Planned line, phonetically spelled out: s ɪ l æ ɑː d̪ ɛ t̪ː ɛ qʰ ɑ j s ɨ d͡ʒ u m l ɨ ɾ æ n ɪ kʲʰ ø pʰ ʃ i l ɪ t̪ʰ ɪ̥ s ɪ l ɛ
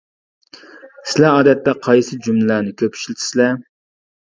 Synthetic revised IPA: s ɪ l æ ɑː d̪ ɛ t̪ː ɛ qʰ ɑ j s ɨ d͡ʒ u m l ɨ l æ n ɪ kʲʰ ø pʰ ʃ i l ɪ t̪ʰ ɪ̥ s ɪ l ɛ